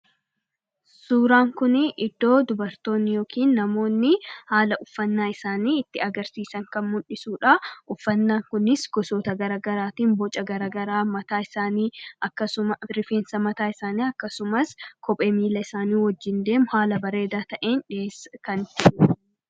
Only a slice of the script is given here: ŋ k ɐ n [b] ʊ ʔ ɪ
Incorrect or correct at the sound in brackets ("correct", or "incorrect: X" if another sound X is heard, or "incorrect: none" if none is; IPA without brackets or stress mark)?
incorrect: m